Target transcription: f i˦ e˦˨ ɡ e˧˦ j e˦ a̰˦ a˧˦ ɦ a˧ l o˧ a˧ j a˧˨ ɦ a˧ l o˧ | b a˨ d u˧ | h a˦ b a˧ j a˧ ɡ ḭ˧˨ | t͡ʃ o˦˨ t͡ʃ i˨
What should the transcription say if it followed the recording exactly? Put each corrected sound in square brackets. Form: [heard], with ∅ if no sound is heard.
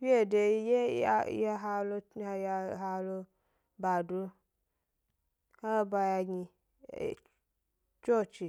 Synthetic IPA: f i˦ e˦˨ [d] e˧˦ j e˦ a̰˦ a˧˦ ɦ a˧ l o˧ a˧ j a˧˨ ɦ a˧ l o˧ | b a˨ d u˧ | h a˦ b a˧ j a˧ ɡ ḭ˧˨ | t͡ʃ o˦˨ t͡ʃ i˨